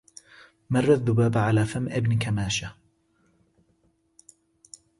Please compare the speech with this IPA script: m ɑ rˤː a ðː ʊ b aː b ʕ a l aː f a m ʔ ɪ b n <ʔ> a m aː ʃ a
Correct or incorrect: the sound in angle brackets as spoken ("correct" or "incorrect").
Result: incorrect